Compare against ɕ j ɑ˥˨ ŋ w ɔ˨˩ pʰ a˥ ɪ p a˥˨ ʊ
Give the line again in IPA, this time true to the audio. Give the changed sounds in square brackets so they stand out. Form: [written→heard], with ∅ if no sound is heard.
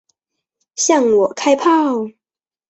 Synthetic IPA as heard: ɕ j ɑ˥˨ ŋ w ɔ˨˩ [pʰ→kʰ] a˥ ɪ [p→pʰ] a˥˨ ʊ